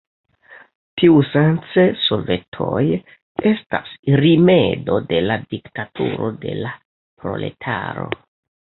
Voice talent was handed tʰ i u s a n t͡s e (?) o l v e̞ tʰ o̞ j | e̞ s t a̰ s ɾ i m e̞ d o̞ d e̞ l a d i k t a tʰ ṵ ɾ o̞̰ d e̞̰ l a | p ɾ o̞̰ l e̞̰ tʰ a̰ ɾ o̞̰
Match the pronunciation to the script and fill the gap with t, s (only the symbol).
s